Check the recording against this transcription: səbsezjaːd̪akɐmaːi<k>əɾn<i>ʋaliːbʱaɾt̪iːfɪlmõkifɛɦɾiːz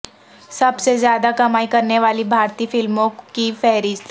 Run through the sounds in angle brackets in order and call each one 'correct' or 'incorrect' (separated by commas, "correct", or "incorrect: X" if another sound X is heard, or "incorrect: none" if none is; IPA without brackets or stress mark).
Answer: correct, incorrect: e